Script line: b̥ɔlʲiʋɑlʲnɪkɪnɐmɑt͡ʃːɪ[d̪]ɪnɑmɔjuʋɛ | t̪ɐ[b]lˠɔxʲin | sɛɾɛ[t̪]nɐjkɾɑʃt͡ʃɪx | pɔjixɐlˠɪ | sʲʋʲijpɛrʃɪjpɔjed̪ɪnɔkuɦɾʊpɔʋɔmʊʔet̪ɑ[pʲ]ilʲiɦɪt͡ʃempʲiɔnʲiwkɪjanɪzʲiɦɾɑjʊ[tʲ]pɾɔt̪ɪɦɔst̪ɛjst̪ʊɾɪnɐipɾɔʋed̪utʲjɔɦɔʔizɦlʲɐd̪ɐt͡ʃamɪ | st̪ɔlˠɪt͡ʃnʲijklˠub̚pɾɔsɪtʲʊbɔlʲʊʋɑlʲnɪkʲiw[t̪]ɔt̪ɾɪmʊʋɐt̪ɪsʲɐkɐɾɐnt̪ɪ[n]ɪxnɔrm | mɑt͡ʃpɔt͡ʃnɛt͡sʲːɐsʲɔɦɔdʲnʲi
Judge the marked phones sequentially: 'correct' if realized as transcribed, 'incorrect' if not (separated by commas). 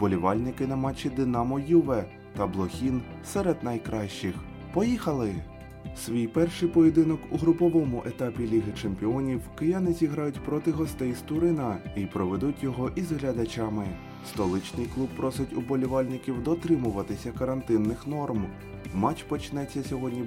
correct, correct, incorrect, correct, correct, incorrect, incorrect